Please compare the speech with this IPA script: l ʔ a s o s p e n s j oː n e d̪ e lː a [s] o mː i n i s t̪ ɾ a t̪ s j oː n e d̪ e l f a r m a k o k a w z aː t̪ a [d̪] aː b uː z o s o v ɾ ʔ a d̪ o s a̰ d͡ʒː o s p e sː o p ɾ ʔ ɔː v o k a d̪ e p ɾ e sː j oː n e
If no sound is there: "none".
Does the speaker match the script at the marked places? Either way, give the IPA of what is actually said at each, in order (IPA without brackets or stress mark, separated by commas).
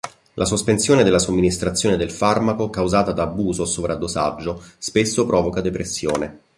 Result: s, d̪